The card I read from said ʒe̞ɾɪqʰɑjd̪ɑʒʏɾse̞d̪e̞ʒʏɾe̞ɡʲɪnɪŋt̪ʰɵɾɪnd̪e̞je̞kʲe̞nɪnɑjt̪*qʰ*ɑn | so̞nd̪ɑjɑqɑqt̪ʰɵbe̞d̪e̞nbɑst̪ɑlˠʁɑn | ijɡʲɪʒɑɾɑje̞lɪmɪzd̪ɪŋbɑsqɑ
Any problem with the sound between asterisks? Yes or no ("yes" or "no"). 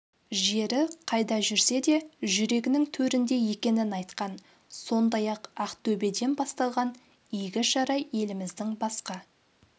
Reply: yes